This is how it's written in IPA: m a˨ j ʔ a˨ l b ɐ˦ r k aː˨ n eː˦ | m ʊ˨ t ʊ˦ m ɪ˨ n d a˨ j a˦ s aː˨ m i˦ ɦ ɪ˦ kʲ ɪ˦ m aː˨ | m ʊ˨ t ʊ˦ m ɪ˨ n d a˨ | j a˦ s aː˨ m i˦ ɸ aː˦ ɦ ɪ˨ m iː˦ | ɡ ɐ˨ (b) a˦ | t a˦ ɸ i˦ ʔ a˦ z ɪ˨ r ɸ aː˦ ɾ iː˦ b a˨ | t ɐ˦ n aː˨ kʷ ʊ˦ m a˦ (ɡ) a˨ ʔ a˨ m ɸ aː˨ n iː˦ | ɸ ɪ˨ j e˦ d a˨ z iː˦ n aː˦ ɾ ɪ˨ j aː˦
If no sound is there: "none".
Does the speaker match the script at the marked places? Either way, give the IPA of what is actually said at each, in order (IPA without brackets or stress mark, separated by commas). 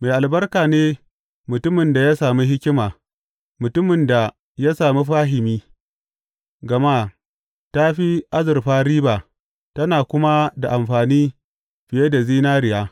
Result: m, d